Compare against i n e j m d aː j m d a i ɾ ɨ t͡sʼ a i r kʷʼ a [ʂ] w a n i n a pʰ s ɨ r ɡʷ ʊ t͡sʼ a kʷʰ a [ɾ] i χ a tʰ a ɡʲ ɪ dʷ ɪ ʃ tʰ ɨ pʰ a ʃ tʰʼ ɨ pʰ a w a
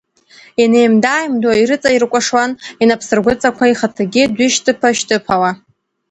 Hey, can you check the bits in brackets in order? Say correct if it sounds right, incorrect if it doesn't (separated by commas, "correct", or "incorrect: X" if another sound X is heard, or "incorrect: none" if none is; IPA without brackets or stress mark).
correct, incorrect: none